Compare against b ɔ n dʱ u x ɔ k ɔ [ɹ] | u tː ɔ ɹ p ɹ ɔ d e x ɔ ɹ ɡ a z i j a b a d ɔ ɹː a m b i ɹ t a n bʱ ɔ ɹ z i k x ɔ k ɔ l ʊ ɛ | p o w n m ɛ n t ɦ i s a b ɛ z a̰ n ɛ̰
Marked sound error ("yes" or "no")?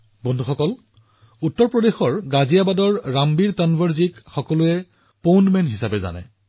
yes